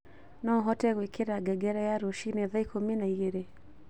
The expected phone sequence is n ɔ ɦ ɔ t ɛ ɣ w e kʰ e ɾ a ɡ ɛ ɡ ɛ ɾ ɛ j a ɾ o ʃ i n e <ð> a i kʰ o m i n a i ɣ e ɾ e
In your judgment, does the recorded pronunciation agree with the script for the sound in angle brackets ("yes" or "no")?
yes